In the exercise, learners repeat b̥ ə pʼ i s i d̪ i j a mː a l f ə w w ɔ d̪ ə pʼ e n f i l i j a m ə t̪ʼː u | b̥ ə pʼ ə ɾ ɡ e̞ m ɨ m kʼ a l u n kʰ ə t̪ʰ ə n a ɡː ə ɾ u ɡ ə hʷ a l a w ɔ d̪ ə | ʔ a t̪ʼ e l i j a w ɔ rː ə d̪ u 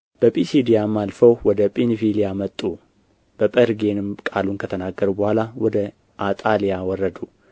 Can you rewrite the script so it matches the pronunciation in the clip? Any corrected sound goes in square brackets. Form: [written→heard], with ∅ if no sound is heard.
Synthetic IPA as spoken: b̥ ə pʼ i s i d̪ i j a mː a l f ə w w ɔ d̪ ə pʼ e n f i l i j a m ə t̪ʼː u | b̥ ə pʼ ə ɾ ɡ e̞ [m→n] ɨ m kʼ a l u n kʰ ə t̪ʰ ə n a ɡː ə ɾ u [ɡ→b] ə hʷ a l a w ɔ d̪ ə | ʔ a t̪ʼ [e→a] l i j a w ɔ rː ə d̪ u